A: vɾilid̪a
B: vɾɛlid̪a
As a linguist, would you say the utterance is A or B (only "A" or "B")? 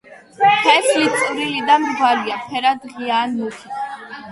A